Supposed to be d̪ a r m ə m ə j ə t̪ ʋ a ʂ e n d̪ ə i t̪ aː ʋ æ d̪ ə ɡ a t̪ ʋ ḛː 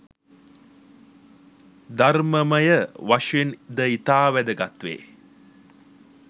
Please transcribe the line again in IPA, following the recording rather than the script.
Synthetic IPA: d̪ a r m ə m ə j ə ʋ a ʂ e n d̪ ə i t̪ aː ʋ æ d̪ ə ɡ a t̪ ʋ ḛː

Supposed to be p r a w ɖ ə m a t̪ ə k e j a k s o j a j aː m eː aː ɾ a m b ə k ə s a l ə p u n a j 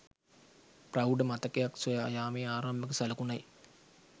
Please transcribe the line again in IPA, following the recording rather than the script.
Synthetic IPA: p r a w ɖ ə m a t̪ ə k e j a k s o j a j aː m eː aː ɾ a m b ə k ə s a l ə k u n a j

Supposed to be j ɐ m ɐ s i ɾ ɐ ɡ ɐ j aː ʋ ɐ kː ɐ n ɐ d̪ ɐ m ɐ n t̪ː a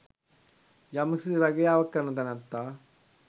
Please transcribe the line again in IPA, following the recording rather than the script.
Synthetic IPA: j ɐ m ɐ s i ɾ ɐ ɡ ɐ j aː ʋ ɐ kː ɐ n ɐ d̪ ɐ n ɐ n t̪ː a

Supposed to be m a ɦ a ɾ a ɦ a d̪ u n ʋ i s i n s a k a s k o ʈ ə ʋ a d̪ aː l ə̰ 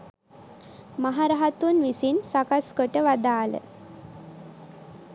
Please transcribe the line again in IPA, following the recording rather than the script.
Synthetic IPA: m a ɦ a ɾ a ɦ a t̪ u n ʋ i s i n s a k a s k o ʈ ə ʋ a d̪ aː l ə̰

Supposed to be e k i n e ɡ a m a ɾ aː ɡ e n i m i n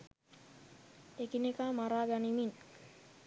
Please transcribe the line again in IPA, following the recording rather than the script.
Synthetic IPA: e k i n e k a m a ɾ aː ɡ a n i m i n

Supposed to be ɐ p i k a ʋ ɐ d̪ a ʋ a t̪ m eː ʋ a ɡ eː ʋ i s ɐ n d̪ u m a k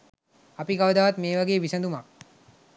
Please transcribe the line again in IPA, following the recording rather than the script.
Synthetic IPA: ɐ p i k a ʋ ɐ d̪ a ʋ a t̪ m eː ʋ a ɡ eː ʋ i s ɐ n d̪ u m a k

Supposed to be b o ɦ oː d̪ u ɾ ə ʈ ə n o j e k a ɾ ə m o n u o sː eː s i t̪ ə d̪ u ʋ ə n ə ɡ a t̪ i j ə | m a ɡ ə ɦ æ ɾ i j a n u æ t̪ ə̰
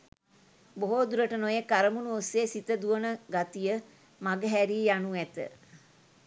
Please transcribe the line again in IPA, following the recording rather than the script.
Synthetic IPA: b o ɦ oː d̪ u ɾ ə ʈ ə n o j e k a ɾ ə m u n u o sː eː s i t̪ ə d̪ u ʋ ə n ə ɡ a t̪ i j ə | m a ɡ ə ɦ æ ɾ i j a n u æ t̪ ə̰

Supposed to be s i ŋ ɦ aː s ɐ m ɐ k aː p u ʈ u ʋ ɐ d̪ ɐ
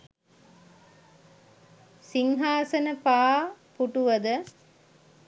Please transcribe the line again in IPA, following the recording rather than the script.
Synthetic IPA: s i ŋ ɦ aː s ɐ n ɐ p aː p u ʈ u ʋ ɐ d̪ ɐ

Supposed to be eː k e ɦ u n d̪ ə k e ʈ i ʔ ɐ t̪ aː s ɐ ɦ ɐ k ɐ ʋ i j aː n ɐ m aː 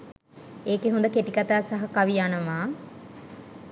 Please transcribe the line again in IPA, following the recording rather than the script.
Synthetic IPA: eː k e ɦ u n d̪ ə k e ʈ i k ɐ t̪ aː s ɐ ɦ ɐ k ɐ ʋ i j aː n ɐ m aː

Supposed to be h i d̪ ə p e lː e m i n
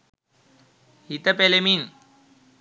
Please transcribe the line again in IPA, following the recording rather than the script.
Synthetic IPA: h i t̪ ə p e l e m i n

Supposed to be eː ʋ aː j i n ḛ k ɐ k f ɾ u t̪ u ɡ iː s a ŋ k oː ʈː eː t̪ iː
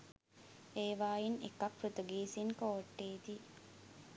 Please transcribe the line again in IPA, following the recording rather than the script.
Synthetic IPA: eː ʋ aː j i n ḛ k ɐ k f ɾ u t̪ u ɡ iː s i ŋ k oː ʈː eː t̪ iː

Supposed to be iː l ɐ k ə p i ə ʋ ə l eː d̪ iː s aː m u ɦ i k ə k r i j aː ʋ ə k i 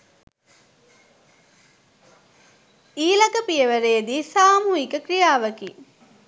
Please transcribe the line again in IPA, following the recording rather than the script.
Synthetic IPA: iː l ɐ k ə p i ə ʋ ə ɾ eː d̪ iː s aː m u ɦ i k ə k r i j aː ʋ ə k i

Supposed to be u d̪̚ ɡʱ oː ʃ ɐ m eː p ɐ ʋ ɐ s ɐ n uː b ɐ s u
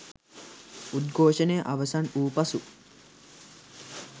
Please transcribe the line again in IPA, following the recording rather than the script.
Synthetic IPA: u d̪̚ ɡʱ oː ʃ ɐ n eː ʔ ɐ ʋ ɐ s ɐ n uː p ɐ s u

